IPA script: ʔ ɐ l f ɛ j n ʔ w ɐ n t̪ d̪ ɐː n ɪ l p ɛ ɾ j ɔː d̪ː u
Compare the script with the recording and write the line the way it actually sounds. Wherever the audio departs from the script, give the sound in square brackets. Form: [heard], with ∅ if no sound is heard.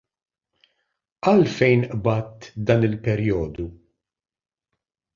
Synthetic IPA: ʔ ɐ l f ɛ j n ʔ [b] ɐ [∅] t̪ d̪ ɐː n ɪ l p ɛ ɾ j ɔː [d̪] u